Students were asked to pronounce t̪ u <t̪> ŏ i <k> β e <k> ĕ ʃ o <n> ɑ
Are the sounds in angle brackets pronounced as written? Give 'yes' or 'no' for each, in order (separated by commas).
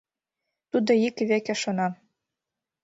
no, yes, yes, yes